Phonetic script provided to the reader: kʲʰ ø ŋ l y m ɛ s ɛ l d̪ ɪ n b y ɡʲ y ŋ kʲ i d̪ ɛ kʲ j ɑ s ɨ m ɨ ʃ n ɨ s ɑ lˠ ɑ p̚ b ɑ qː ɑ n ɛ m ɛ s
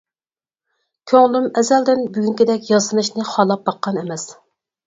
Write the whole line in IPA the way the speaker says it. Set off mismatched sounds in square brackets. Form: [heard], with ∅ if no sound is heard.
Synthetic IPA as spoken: kʲʰ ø ŋ l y m ɛ [z] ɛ l d̪ ɪ n b y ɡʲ y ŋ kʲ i d̪ ɛ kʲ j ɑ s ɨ [n] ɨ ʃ n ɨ [χ] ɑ lˠ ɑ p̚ b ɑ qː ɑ n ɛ m ɛ s